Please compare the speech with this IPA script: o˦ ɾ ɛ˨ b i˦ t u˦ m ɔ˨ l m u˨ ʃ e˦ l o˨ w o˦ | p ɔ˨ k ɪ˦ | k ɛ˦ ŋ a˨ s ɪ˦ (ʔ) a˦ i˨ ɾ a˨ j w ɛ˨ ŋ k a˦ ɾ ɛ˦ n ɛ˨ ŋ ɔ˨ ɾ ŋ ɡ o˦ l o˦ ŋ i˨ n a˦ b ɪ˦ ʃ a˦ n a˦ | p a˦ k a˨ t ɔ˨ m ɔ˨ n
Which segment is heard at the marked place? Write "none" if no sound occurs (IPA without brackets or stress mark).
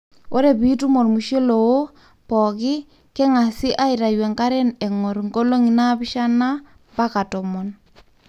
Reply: ʔ